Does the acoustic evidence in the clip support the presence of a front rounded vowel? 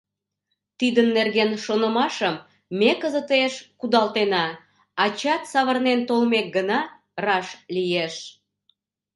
no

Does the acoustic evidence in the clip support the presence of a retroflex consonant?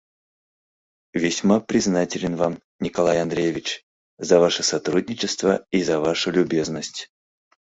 yes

